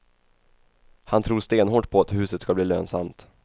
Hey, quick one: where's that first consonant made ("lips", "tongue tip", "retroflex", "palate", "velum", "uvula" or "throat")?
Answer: throat